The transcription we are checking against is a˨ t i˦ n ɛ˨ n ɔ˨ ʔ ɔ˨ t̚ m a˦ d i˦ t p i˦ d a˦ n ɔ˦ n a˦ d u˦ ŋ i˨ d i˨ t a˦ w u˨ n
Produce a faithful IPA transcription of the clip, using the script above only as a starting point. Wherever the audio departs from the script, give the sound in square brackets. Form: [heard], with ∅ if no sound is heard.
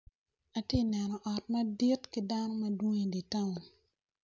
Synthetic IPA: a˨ t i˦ n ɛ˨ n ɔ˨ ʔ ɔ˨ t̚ m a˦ d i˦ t [k] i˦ d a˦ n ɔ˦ [m] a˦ d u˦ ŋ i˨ d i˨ t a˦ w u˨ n